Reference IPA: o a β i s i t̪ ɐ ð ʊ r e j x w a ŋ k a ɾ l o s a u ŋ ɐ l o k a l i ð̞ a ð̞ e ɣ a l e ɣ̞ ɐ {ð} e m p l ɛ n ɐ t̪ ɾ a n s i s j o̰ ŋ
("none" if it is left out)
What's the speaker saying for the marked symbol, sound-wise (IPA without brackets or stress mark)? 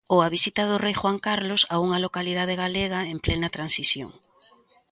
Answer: none